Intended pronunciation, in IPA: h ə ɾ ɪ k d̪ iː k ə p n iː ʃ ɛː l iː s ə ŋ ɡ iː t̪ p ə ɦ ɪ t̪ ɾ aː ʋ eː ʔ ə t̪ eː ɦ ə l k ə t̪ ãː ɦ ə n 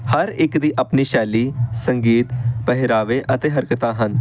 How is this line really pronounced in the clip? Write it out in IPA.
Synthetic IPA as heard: h ə ɾ ɪ k d̪ iː ʔ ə p n iː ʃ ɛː l iː s ə ŋ ɡ iː t̪ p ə ɦ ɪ ɾ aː ʋ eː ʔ ə t̪ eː ɦ ə ɾ k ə t̪ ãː ɦ ə n